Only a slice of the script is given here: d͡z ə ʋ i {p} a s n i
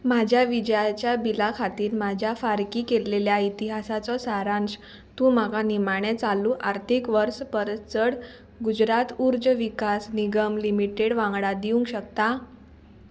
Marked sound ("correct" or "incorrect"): incorrect